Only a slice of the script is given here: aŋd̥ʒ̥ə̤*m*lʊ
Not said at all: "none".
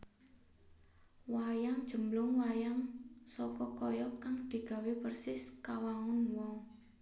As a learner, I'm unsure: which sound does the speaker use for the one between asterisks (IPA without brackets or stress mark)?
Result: m